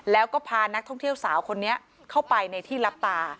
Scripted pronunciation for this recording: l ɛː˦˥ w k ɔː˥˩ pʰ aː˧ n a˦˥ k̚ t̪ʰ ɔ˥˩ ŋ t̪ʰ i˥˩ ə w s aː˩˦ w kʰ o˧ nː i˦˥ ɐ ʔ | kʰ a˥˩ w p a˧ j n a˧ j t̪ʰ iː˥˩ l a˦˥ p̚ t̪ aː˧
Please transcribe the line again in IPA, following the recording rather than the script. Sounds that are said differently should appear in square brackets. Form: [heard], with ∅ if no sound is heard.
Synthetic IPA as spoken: l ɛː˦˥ w k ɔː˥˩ pʰ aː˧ n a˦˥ k̚ t̪ʰ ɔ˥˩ ŋ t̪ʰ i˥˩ ə w s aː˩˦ w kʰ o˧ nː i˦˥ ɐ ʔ | kʰ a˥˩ w p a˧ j n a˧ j t̪ʰ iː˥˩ l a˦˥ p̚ t̪ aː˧